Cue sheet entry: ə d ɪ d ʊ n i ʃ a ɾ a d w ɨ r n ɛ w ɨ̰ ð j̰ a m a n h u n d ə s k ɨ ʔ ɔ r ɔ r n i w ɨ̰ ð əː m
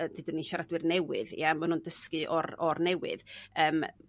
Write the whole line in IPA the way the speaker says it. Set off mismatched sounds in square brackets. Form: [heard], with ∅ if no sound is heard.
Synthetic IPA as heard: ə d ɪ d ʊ n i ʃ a ɾ a d w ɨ r n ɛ w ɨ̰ ð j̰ a m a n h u n d ə s k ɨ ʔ ɔ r ɔ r n [ɛ] w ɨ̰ ð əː m